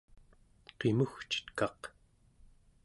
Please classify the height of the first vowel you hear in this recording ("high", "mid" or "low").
mid